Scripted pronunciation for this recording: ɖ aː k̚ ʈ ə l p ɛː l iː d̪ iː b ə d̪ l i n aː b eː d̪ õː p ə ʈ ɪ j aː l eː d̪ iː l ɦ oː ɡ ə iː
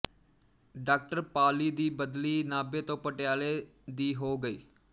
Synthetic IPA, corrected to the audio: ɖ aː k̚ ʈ ə ɾ p aː l iː d̪ iː b ə d̪ l iː n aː b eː t̪ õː p ə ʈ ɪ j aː l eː d̪ iː ɦ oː ɡ ə iː